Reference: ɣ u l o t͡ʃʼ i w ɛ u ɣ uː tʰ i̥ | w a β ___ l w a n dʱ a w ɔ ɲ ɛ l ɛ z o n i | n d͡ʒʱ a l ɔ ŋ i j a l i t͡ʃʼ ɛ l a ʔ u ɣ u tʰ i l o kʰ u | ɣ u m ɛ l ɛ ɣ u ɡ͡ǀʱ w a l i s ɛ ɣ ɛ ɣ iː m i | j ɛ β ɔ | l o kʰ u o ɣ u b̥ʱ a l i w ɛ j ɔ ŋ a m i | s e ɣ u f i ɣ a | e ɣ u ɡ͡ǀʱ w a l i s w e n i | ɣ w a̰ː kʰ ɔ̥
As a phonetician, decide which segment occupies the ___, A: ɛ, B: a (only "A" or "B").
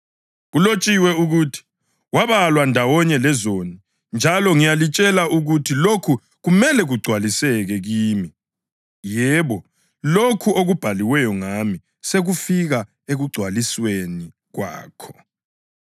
B